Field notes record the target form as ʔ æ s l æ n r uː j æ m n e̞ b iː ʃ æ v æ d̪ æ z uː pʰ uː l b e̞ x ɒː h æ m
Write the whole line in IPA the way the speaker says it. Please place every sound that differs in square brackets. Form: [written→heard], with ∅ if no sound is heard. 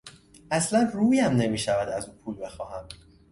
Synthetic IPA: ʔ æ s l æ n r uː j æ m n e̞ [b→m] iː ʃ æ v æ d̪ æ z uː pʰ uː l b e̞ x ɒː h æ m